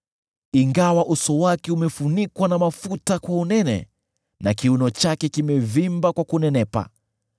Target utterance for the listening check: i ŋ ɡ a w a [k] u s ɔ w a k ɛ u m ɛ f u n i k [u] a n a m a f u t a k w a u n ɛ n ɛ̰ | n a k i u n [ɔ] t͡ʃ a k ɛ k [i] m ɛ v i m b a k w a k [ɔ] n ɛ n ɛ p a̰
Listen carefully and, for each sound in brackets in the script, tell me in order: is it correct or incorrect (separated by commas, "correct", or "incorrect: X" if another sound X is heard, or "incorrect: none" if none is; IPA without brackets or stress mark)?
incorrect: ʔ, incorrect: w, correct, correct, incorrect: u